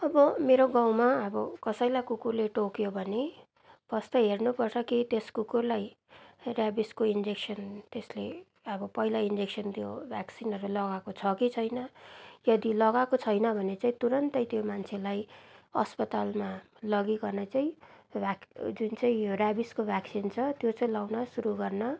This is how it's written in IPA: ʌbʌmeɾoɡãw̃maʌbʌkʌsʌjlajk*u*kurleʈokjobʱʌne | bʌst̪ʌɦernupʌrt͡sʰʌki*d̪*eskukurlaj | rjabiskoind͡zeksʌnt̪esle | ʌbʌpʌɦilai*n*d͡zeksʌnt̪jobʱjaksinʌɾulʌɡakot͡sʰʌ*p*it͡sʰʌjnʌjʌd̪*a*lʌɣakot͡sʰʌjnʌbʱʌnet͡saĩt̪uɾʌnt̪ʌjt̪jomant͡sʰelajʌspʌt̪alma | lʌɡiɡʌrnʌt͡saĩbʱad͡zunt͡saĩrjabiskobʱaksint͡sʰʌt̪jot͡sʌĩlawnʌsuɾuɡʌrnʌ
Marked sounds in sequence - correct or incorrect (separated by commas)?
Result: correct, incorrect, correct, incorrect, incorrect